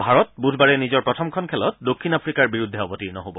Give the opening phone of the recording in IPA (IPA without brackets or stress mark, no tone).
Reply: bʱ